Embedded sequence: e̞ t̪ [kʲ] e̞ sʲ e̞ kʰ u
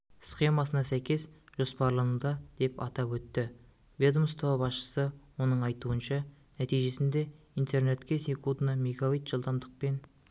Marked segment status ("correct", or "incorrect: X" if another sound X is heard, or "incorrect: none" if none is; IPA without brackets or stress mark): correct